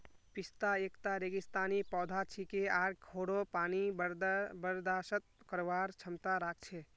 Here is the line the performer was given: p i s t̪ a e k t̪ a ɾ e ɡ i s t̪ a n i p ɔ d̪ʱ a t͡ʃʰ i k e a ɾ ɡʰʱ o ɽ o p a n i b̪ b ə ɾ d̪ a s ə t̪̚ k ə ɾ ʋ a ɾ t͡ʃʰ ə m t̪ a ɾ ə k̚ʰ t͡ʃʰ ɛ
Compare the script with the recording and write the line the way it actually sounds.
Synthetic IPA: p i s t̪ a e k t̪ a ɾ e ɡ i s t̪ a n i p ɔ d̪ʱ a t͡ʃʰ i k e a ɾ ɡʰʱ o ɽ o p a n i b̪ b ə ɾ d̪ a s ə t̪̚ k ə ɾ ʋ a ɾ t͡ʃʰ ə m t̪ a ɾ a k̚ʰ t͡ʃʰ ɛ